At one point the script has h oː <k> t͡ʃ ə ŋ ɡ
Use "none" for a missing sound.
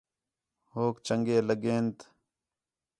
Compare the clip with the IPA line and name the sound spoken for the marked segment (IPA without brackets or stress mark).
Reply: k